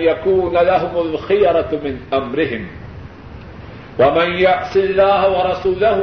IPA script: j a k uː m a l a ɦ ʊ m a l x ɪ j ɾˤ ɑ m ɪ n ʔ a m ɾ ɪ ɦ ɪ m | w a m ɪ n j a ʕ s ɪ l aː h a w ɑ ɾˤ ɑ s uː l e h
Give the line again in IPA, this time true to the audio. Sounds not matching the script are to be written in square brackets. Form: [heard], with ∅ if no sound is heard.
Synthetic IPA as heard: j a k uː [n] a l a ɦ ʊ m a l x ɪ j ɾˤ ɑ m ɪ n ʔ a m ɾ ɪ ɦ ɪ m | w a m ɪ n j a ʕ s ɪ [lː] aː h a w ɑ ɾˤ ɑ s uː l [a] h